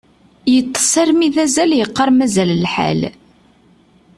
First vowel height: mid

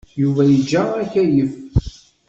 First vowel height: high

